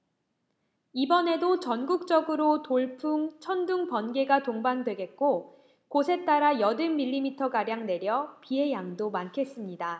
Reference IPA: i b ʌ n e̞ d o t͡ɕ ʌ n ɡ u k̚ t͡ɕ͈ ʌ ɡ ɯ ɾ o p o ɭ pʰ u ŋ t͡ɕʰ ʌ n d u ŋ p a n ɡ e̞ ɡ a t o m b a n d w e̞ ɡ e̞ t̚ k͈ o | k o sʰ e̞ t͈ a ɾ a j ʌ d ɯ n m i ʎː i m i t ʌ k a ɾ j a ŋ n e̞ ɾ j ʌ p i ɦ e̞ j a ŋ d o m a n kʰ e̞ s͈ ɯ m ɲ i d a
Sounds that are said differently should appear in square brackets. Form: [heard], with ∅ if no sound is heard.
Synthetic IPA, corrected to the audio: i b ʌ n e̞ d o t͡ɕ ʌ n ɡ u k̚ t͡ɕ͈ ʌ ɡ ɯ ɾ o [t] o ɭ pʰ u ŋ t͡ɕʰ ʌ n d u ŋ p [ʌ] n ɡ e̞ ɡ a t o [ŋ] b a n d w e̞ ɡ e̞ t̚ k͈ o | k o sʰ e̞ t͈ a ɾ a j ʌ d ɯ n m i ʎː i m i [tʰ] ʌ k a ɾ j a ŋ n e̞ ɾ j ʌ p i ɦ e̞ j a ŋ d o m a n kʰ e̞ s͈ ɯ m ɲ i d a